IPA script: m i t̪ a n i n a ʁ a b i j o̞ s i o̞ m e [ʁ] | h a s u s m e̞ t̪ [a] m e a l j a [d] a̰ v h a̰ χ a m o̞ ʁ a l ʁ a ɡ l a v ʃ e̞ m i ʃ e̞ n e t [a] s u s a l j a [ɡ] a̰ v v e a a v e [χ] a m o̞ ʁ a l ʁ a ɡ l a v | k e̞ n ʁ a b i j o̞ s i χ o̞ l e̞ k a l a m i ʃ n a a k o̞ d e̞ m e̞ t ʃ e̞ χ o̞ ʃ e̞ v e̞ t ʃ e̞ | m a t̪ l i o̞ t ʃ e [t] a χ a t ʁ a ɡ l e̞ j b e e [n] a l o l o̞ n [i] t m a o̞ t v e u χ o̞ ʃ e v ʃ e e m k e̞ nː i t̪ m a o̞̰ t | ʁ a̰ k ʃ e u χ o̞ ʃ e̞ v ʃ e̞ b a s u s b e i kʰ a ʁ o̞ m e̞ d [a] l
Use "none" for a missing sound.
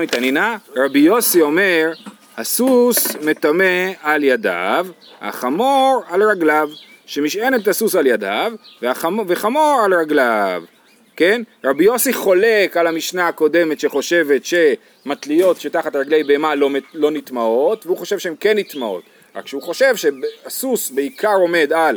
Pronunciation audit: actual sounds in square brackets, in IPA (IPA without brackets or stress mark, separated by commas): ʁ, a, d, a, d, χ, t, m, i, a